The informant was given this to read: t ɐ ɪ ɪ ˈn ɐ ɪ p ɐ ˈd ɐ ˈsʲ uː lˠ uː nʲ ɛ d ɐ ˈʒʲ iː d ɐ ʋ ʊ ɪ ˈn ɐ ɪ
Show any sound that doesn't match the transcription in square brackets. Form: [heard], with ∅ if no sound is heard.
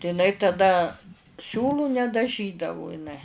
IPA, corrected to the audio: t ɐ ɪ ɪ ˈn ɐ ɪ [t] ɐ ˈd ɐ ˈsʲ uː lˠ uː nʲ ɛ d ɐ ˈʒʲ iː d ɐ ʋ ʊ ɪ ˈn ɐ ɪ

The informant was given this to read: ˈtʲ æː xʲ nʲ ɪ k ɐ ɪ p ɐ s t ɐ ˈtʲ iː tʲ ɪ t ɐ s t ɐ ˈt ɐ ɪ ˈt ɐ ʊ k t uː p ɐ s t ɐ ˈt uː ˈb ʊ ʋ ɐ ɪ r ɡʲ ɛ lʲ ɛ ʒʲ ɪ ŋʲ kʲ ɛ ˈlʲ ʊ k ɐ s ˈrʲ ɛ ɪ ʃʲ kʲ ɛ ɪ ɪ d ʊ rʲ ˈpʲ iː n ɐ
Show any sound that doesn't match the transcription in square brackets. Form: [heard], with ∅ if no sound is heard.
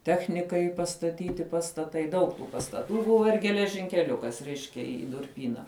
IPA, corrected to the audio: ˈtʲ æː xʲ nʲ ɪ k ɐ ɪ p ɐ s t ɐ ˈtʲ iː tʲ ɪ [p] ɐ s t ɐ ˈt ɐ ɪ [ˈd] ɐ ʊ k t uː p ɐ s t ɐ ˈt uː ˈb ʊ ʋ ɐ ɪ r ɡʲ ɛ lʲ ɛ ʒʲ ɪ ŋʲ kʲ ɛ ˈlʲ ʊ k ɐ s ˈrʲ ɛ ɪ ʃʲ kʲ ɛ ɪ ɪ d ʊ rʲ ˈpʲ iː n ɐ

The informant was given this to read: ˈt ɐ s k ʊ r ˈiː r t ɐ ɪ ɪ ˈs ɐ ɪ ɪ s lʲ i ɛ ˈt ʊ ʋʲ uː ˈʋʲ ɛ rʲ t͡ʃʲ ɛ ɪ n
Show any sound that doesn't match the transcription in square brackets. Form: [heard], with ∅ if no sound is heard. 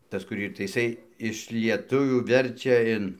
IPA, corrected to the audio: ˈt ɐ s k ʊ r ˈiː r t ɐ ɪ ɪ ˈs ɐ ɪ ɪ [ʃ] lʲ i ɛ ˈt ʊ ʋʲ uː ˈʋʲ ɛ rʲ t͡ʃʲ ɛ ɪ n

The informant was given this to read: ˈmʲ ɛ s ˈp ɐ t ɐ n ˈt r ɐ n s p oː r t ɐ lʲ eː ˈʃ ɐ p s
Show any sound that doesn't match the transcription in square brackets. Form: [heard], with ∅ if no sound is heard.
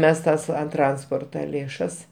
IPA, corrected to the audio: ˈmʲ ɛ s [ˈt] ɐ [s] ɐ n ˈt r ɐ n s p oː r t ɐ lʲ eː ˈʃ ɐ [∅] s

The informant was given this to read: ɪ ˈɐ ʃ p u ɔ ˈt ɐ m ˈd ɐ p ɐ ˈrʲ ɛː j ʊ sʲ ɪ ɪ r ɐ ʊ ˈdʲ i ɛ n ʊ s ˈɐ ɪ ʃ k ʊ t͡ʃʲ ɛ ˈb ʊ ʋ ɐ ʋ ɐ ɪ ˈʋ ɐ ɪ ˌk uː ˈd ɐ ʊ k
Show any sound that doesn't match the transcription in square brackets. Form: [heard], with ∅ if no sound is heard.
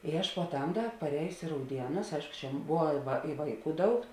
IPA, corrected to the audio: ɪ ˈɐ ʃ p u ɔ ˈt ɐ m ˈd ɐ p ɐ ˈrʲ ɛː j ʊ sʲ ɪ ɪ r ɐ ʊ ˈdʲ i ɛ n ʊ s ˈɐ ɪ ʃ k ʊ t͡ʃʲ ɛ ˈb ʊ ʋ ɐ ʋ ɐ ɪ ˈʋ ɐ ɪ ˌk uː ˈd ɐ ʊ k

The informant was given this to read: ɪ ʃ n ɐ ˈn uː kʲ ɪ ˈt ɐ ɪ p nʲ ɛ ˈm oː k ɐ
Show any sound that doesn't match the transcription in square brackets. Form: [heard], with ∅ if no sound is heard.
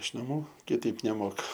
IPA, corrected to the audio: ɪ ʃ n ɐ [ˈm] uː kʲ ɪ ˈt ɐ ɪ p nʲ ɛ ˈm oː k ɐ

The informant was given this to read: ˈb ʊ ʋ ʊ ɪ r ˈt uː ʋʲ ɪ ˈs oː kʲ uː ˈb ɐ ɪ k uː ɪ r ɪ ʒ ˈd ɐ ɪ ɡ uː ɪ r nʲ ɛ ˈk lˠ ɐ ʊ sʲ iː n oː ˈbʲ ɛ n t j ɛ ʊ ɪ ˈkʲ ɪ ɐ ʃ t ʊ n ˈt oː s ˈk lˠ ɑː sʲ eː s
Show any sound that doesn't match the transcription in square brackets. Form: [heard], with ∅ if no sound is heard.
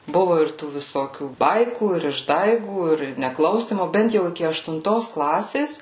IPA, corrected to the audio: ˈb ʊ ʋ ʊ ɪ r ˈt uː ʋʲ ɪ ˈs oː kʲ uː ˈb ɐ ɪ k uː ɪ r ɪ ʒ ˈd ɐ ɪ ɡ uː ɪ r nʲ ɛ ˈk lˠ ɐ ʊ sʲ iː [m] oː ˈbʲ ɛ n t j ɛ ʊ ɪ ˈkʲ ɪ ɐ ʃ t ʊ n ˈt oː s ˈk lˠ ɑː sʲ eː s

